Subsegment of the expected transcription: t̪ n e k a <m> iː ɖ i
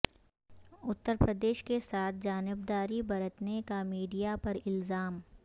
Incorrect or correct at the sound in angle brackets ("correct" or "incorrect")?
correct